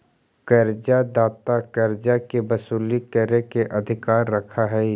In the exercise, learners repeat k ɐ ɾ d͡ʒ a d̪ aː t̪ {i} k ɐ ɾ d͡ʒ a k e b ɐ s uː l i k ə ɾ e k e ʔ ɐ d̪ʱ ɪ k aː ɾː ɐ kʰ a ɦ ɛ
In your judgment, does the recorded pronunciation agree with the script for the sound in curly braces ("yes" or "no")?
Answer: no